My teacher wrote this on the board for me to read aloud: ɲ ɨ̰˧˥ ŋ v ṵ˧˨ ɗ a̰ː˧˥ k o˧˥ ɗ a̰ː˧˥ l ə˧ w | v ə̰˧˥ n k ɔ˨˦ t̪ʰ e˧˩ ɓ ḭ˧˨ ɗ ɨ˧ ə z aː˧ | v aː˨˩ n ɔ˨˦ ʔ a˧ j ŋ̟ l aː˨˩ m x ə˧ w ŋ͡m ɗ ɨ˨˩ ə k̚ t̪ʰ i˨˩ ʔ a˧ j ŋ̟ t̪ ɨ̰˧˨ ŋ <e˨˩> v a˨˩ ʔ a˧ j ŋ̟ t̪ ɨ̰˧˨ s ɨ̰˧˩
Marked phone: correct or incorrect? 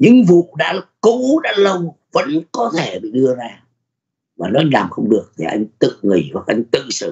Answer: incorrect